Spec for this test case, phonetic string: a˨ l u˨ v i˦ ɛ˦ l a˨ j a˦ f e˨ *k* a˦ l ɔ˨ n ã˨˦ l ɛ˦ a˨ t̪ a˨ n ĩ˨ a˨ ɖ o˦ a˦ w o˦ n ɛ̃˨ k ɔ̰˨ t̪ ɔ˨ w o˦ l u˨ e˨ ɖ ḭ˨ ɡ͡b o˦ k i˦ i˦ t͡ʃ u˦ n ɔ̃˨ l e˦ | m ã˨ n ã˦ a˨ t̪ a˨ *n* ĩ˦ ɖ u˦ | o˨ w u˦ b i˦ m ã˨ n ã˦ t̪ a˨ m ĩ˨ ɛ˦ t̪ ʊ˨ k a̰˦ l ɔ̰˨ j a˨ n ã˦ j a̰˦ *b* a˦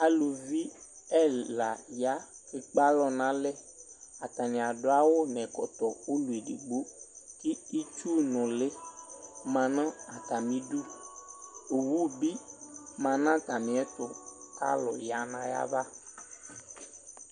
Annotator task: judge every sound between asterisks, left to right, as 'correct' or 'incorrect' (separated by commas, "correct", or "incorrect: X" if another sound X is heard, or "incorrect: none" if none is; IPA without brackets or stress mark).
incorrect: k͡p, incorrect: m, incorrect: v